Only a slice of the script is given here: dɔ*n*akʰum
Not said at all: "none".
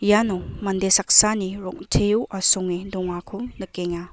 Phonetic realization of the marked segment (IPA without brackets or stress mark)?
ŋ